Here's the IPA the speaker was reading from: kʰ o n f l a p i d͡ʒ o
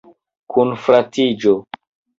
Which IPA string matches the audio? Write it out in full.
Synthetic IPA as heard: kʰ u n f ɾ a t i d͡ʒ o